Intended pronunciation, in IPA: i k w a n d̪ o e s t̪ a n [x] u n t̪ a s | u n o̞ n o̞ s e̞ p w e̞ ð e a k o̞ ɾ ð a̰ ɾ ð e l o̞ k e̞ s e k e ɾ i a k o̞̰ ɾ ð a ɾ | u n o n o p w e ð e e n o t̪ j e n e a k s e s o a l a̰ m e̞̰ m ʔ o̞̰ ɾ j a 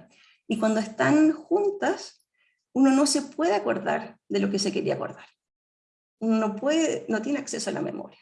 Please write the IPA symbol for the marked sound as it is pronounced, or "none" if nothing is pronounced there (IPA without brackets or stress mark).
x